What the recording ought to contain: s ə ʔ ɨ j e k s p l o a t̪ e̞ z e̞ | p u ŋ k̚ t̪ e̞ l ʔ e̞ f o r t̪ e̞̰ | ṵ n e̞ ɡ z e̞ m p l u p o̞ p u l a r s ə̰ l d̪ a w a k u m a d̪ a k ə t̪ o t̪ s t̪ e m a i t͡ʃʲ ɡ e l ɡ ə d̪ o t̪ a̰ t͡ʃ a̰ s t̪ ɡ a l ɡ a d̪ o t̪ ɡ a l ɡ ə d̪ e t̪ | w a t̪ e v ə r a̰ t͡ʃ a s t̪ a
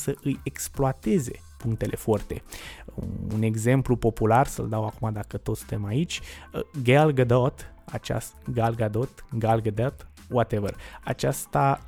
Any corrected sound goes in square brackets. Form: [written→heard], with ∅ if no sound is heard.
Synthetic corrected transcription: s ə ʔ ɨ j e k s p l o a t̪ e̞ z e̞ | p u ŋ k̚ t̪ e̞ l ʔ e̞ f o r t̪ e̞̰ | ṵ n e̞ ɡ z e̞ m p l u p o̞ p u l a r s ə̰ l d̪ a w a k u m a d̪ a k ə t̪ o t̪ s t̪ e m a i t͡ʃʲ ɡ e l ɡ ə d̪ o t̪ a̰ t͡ʃ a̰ s t̪ ɡ a l ɡ a d̪ o t̪ ɡ a l ɡ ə d̪ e t̪ | w a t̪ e v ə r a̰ t͡ʃ a s t̪ a